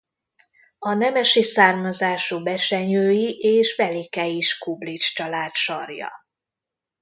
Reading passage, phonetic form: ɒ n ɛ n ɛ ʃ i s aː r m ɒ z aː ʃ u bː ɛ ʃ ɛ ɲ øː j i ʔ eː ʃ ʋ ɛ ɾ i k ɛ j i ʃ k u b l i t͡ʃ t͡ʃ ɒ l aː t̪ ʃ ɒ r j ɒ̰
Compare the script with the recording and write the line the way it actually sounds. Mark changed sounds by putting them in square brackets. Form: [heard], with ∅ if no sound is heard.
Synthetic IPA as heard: ɒ n ɛ [m] ɛ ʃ i s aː r m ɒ z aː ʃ u [b] ɛ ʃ ɛ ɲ øː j i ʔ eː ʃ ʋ ɛ [l] i k ɛ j i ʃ k u b l i t͡ʃ t͡ʃ ɒ l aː t̪ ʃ ɒ r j ɒ̰